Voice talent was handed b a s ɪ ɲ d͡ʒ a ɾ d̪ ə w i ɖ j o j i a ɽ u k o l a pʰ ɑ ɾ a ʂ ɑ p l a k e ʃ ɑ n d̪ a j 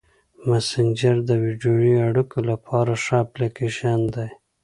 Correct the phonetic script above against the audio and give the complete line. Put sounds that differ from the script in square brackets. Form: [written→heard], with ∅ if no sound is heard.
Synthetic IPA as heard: [b→m] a s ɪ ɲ d͡ʒ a ɾ d̪ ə w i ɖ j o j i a ɽ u k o l a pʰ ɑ ɾ a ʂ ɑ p l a k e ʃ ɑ n d̪ a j